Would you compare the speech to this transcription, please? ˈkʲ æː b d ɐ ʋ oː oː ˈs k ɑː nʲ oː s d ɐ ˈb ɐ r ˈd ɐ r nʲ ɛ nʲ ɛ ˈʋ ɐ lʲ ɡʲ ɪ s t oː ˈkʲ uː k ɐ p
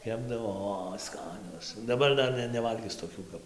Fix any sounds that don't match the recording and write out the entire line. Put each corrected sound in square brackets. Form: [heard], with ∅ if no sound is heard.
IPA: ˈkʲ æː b d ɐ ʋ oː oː ˈs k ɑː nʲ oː s d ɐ ˈb ɐ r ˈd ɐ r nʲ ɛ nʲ ɛ ˈʋ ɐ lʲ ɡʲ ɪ s t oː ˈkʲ uː k ɐ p